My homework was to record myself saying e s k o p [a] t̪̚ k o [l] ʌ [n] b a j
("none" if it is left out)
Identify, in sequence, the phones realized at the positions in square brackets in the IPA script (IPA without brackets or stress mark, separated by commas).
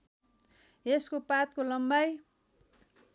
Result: a, l, m